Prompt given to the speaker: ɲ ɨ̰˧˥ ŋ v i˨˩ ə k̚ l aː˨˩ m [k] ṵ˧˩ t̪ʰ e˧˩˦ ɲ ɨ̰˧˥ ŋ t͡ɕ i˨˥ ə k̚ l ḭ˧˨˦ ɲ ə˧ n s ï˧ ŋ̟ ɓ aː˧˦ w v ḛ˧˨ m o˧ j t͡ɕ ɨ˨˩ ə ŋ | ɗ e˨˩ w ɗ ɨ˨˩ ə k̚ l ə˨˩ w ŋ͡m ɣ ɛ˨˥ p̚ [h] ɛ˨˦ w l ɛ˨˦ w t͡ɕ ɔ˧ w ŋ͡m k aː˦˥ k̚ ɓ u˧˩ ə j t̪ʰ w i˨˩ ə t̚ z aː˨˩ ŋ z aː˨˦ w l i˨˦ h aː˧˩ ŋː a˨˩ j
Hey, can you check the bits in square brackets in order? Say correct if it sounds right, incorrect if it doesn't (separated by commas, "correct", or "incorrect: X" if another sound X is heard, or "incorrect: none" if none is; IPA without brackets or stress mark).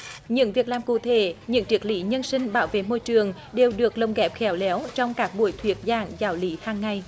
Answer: correct, incorrect: x